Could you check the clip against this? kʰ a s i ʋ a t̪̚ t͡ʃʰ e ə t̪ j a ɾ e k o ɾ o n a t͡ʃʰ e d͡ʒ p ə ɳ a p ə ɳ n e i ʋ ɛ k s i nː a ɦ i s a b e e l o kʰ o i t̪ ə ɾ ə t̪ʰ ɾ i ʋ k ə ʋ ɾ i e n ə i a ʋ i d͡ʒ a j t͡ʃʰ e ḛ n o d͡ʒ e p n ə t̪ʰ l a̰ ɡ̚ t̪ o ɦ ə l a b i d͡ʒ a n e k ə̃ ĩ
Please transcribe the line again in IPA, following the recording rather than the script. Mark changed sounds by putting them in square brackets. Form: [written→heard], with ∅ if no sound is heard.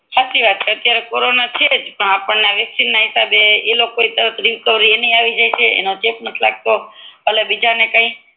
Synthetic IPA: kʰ a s i ʋ a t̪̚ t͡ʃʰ e ə t̪ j a ɾ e k o ɾ o n a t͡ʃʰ e d͡ʒ p ə ɳ a p ə ɳ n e [i→a] ʋ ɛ k s i nː a ɦ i s a b e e l o [kʰ→k] o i t̪ ə ɾ ə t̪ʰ ɾ i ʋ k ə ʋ ɾ i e n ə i a ʋ i d͡ʒ a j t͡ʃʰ e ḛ n o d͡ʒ e p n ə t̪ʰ l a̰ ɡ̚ t̪ o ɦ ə l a b i d͡ʒ a n e k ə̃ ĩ